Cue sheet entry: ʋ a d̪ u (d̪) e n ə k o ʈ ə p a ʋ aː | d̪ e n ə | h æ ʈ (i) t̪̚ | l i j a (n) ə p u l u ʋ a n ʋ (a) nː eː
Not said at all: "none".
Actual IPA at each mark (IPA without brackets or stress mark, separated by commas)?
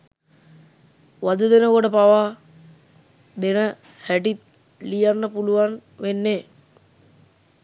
d̪, i, nː, e